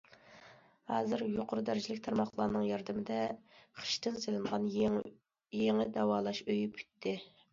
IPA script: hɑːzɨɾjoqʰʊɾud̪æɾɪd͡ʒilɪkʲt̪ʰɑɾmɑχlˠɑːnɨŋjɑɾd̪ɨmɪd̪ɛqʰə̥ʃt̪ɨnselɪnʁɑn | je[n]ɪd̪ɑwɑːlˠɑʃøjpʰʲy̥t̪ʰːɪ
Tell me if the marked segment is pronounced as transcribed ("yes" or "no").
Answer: no